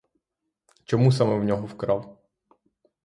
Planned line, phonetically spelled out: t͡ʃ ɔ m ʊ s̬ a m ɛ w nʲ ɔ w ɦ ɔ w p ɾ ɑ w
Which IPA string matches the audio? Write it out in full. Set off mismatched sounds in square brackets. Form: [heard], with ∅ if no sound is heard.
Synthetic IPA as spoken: t͡ʃ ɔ m [u] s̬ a m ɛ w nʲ ɔ [∅] ɦ ɔ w [k] ɾ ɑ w